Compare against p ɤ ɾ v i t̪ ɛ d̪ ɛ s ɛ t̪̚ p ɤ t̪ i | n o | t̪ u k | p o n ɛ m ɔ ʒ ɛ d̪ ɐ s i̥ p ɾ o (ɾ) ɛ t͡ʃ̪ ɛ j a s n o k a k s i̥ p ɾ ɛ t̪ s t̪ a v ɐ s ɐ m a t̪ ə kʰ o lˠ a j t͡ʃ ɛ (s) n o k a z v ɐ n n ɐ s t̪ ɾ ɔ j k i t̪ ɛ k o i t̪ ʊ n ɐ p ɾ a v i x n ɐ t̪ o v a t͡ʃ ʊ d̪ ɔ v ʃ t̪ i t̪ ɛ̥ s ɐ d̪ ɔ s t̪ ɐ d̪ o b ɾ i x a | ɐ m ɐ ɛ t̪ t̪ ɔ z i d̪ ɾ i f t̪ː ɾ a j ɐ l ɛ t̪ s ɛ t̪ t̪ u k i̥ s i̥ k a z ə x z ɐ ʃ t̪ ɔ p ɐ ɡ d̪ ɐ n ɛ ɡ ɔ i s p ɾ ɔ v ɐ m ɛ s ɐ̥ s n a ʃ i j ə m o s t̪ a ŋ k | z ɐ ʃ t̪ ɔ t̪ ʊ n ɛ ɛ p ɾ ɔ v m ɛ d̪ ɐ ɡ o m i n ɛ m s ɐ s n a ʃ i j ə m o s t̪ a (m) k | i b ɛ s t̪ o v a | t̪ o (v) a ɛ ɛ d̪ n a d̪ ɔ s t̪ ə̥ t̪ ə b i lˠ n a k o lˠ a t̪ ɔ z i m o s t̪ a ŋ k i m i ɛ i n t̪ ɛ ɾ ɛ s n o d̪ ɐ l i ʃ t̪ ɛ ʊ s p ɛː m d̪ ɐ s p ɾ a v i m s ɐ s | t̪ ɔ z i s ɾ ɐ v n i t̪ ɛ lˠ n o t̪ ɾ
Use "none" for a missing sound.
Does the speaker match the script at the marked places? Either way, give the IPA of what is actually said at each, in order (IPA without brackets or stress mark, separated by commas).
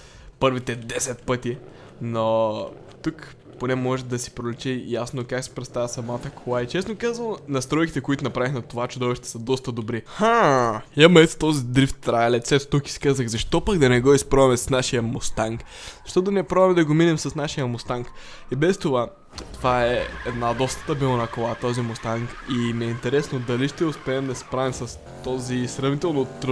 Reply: l, s, ŋ, v